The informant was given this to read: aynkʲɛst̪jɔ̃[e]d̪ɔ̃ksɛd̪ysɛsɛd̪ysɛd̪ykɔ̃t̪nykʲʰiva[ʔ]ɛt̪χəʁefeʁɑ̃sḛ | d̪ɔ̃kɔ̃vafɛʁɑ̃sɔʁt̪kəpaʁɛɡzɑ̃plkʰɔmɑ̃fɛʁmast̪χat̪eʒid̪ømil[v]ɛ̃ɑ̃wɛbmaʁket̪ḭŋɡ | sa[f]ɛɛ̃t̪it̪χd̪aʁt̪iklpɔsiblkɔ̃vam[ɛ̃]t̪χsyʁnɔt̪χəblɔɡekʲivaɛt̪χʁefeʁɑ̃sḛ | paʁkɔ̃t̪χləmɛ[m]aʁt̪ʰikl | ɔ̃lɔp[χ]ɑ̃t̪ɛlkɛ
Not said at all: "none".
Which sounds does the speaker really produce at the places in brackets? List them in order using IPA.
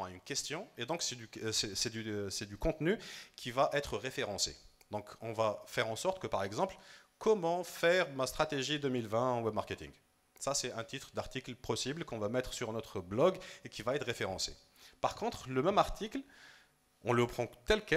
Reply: e, ʔ, v, s, ɛ, m, χ

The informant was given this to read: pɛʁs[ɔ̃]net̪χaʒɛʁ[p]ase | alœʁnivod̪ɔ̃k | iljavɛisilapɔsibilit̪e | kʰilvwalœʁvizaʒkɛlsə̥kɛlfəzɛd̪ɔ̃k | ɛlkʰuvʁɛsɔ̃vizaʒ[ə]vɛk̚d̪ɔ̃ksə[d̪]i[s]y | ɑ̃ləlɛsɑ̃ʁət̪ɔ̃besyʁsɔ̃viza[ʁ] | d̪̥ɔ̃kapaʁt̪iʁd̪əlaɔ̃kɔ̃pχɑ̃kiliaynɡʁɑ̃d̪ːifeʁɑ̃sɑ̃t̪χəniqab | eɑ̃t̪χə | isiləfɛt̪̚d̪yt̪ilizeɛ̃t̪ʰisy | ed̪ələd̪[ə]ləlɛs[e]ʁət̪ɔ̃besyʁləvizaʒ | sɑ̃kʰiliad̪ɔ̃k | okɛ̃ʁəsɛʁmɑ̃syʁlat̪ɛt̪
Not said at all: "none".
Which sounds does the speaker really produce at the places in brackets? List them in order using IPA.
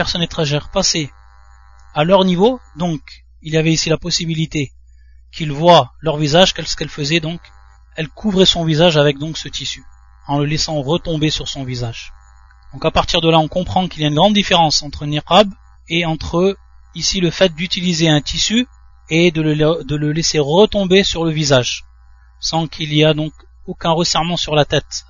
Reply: ɔ, p, a, t̪, s, ʒ, ə, e

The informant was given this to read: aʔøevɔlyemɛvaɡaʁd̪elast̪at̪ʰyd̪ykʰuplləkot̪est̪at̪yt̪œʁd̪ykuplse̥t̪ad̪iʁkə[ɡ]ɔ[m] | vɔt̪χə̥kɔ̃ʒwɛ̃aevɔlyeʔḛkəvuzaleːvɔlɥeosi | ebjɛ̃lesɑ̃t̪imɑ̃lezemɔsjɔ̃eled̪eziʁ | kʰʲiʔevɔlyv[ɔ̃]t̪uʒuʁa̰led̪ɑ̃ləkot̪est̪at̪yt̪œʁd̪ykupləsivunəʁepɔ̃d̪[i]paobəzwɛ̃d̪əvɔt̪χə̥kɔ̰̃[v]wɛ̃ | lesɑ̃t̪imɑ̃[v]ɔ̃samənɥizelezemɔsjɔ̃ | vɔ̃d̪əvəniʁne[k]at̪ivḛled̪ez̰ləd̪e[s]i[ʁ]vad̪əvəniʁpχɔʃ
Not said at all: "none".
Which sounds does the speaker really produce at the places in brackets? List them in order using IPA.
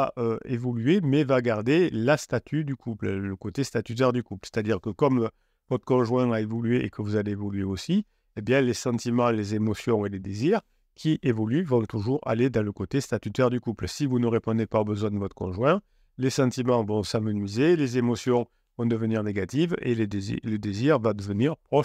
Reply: k, m, ɔ̃, e, ʒ, v, ɡ, z, ʁ

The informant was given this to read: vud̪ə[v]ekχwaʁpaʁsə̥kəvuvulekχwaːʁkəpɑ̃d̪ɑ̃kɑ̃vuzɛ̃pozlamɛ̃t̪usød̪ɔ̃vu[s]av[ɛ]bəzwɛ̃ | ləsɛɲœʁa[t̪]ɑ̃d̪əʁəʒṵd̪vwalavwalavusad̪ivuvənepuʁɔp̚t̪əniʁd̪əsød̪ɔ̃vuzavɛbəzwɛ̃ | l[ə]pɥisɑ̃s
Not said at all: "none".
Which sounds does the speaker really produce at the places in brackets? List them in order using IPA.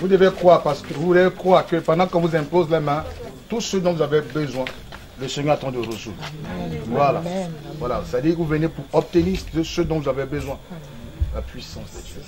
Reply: v, z, ɛ, t̪, a

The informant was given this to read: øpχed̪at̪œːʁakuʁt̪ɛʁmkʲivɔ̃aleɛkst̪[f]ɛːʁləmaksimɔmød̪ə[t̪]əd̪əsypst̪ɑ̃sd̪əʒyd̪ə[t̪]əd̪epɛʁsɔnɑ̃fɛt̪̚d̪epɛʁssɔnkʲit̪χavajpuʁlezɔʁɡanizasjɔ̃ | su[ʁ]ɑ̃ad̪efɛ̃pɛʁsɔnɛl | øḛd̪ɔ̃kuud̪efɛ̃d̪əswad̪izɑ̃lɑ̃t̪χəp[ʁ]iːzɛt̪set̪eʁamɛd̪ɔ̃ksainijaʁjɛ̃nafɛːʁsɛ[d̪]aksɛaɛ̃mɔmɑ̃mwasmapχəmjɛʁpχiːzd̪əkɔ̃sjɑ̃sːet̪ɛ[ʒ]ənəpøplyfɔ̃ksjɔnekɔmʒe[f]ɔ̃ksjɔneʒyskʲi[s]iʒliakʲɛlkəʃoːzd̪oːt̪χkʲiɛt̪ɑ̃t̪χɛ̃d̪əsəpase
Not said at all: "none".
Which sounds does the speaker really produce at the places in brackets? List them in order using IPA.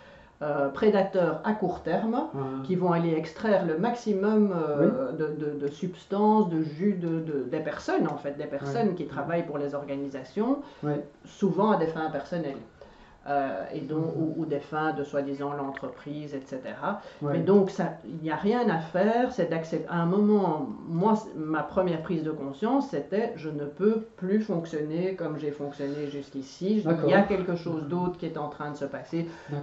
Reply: χ, d̪, d̪, v, χ, d̪, ʒ, f, s

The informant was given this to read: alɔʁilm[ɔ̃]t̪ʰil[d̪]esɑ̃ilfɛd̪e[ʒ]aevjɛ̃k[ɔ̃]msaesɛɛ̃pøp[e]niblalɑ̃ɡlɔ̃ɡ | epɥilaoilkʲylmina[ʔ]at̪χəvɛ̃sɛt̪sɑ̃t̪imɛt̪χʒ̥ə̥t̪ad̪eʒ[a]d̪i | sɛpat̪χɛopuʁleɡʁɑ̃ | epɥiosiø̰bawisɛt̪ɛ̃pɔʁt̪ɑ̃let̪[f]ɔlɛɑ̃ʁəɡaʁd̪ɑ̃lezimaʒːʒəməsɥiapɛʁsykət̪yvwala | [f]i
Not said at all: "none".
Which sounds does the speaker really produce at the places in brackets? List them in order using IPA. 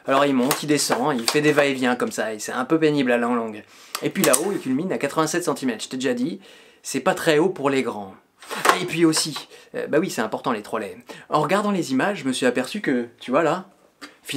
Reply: ɔ̃, d̪, v, ɔ, e, k, a, χ, f

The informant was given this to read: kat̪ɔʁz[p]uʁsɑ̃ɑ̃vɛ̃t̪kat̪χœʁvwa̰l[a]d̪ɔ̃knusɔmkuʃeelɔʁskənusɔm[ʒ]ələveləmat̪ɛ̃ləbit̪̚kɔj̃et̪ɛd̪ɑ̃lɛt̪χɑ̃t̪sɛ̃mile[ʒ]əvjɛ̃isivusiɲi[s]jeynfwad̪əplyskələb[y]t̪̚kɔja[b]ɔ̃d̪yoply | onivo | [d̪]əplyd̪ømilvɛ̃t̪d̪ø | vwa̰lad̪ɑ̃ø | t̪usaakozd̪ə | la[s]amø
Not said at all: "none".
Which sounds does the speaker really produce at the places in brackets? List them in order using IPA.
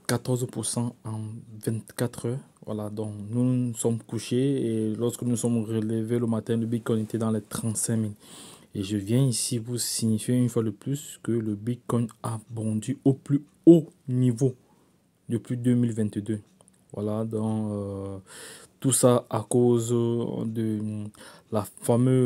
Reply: p, a, ʁ, ʒ, f, i, b, d̪, f

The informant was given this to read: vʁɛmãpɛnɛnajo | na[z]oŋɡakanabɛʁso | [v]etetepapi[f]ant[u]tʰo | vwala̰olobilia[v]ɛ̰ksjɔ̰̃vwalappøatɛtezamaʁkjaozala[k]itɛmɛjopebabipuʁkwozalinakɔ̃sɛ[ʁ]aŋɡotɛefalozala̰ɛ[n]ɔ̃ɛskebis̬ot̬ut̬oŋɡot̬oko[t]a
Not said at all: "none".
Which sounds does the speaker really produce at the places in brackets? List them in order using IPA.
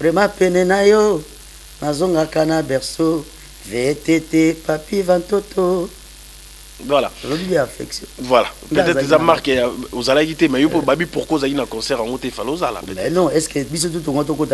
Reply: z, v, v, o, f, k, ʁ, n, t

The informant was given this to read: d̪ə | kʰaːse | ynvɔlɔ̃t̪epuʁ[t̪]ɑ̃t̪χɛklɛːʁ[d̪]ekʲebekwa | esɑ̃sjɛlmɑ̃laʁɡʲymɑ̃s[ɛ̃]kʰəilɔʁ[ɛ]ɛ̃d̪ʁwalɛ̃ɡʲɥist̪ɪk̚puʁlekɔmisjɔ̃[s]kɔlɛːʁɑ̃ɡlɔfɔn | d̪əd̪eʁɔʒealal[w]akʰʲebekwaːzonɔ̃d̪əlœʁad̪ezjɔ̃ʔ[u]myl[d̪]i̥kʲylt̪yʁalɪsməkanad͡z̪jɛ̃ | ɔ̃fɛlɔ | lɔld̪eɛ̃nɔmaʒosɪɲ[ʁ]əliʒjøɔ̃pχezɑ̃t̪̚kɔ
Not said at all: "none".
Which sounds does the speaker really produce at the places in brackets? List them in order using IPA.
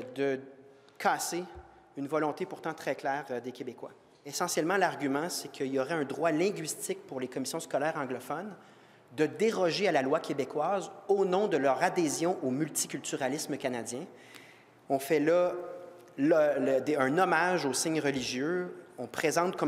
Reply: t̪, d̪, ɛ, ɛ, s, w, o, t̪, ʁ

